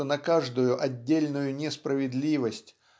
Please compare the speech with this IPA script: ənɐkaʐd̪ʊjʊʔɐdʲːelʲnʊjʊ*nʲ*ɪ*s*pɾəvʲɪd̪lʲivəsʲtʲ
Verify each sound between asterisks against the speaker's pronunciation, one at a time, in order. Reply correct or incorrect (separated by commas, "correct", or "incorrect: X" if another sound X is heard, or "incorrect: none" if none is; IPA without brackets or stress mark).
correct, correct